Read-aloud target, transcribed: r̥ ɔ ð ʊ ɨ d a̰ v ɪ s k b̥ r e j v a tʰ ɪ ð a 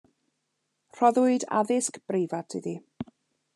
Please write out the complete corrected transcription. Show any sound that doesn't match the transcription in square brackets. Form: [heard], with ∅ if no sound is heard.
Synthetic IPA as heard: r̥ ɔ ð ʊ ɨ d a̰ [ð] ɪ s k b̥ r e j v a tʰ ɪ ð [i]